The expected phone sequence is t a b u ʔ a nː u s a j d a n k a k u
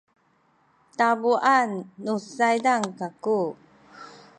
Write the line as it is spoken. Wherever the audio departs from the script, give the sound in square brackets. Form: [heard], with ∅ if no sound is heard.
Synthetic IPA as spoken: t a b u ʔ a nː u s a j d a [ŋ] k a k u

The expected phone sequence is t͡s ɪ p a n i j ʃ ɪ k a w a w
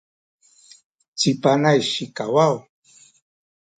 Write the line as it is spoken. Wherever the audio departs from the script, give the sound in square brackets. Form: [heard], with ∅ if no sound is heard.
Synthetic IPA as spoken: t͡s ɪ p a n [a] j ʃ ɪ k a w a w

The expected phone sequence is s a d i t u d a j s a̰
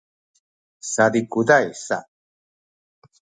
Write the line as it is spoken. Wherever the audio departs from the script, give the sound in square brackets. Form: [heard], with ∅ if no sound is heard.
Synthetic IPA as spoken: s a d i [k] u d a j s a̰

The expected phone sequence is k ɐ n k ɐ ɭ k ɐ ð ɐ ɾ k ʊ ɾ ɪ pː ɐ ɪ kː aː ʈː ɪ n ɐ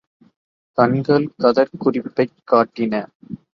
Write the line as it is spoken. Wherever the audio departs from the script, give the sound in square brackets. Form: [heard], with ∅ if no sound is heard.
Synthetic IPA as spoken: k ɐ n [ɡ] ɐ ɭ k ɐ ð ɐ ɾ k ʊ [r] ɪ pː ɐ ɪ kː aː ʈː ɪ n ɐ

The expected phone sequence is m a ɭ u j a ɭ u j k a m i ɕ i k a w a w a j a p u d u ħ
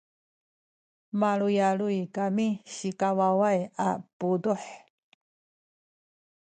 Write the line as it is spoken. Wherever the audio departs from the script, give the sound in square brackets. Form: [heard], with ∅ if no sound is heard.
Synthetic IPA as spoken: m a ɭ u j a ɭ u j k a m i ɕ i k a w a w a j a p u d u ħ

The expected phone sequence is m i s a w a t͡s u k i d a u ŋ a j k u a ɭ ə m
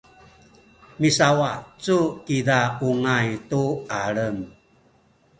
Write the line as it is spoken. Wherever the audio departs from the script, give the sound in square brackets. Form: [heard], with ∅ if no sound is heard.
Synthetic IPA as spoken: m i s a w a t͡s u k i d a u ŋ a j [t] u a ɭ ə m

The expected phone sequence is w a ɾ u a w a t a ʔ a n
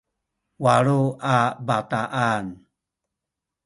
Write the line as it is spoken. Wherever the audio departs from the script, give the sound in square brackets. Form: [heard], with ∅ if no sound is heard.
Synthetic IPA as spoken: w a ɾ u a [b] a t a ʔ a n

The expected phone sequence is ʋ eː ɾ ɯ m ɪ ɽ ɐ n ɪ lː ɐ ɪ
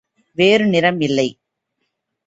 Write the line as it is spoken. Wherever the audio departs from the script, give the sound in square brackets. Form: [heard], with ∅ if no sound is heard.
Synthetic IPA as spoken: ʋ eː ɾ ɯ [n] ɪ [ɾ] ɐ [m] ɪ lː ɐ ɪ

